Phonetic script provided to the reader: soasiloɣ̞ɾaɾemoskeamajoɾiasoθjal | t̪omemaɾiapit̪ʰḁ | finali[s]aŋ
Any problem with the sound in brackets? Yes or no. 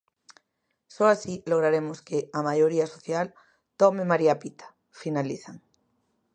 yes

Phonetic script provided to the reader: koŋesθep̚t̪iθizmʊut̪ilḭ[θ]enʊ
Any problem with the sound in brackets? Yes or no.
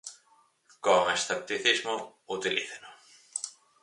no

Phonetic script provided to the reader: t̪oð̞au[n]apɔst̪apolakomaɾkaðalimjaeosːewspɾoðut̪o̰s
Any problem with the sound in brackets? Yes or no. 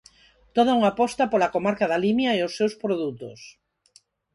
yes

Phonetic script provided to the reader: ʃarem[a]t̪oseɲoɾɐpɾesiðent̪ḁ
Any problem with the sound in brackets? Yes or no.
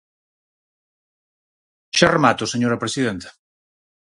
no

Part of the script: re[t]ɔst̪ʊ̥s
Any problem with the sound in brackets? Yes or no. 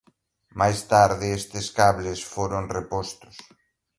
yes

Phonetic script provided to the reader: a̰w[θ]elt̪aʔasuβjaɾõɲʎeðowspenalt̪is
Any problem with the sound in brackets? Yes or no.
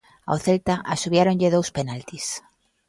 no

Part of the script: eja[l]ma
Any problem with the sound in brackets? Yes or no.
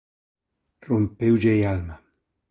no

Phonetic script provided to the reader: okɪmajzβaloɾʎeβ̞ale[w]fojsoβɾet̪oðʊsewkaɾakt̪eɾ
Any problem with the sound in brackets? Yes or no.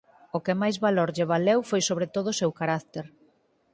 no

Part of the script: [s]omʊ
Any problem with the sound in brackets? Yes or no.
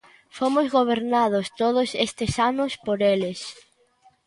yes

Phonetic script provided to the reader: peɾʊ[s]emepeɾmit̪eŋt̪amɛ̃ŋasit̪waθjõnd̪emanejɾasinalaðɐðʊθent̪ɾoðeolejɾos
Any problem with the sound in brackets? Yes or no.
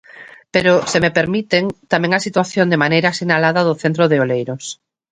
no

